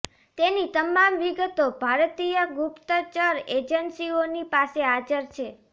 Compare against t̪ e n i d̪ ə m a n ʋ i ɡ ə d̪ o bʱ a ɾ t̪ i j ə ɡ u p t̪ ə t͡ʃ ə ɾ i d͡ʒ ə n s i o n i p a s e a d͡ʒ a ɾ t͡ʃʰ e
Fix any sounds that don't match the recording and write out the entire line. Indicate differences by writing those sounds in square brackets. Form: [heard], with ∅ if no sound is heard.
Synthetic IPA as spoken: t̪ e n i [t̪] ə m a [m] ʋ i ɡ ə [t̪] o bʱ a ɾ t̪ i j ə ɡ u p t̪ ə t͡ʃ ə ɾ [e] d͡ʒ ə n s i o n i p a s e a d͡ʒ [ə] ɾ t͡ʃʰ e